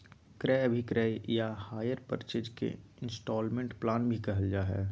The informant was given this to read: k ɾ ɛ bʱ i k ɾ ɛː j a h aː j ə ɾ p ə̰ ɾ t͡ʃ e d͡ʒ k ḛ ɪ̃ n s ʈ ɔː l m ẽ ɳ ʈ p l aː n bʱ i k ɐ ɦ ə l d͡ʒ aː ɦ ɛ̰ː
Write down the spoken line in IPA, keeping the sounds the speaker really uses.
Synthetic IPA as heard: k ɾ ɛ bʱ i k ɾ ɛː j a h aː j ə ɾ p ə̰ ɾ t͡ʃ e d͡ʒ k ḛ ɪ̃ n s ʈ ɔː l m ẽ ɳ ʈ p l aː n bʱ i k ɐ ɦ ə l d͡ʒ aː ɦ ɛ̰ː